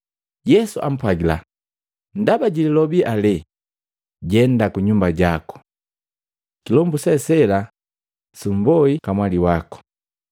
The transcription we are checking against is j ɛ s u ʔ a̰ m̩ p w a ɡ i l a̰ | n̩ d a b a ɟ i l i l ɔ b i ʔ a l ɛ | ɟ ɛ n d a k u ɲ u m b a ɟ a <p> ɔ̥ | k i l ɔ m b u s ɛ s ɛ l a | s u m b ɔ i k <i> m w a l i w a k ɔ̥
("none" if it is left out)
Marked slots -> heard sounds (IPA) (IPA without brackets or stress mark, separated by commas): k, a